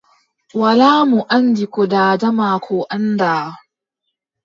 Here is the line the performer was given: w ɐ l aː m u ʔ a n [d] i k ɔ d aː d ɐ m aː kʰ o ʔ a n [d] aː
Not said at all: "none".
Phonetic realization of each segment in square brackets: d, d

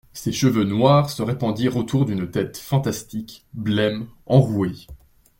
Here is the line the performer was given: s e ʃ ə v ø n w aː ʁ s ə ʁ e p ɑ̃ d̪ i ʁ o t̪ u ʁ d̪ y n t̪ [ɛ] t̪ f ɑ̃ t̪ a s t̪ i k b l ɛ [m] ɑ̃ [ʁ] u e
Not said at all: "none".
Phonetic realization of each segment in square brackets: ɛ, m, ʁ

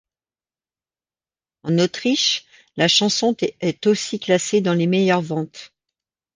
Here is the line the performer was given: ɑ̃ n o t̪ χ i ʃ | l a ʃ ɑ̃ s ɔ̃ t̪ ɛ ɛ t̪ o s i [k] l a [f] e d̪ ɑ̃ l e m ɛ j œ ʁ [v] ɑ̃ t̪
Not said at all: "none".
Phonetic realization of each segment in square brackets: k, s, v

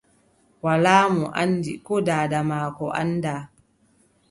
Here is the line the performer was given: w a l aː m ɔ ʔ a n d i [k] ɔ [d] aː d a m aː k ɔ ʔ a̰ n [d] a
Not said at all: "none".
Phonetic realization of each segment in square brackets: k, d, d

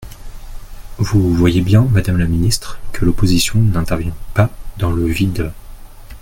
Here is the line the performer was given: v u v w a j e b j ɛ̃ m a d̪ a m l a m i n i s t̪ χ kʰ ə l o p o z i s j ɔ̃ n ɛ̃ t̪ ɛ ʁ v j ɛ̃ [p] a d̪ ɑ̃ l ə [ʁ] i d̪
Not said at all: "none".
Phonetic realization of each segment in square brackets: p, v

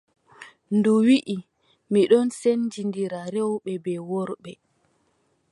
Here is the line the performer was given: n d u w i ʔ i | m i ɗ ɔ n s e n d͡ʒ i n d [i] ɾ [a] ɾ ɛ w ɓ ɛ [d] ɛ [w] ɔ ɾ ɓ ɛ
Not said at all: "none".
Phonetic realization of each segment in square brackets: i, a, b, w

